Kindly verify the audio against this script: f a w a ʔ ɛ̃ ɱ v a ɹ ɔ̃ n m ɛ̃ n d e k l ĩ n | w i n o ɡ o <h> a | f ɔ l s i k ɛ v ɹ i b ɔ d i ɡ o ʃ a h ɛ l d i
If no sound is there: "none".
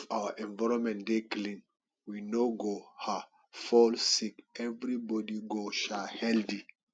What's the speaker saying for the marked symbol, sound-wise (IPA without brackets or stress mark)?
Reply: h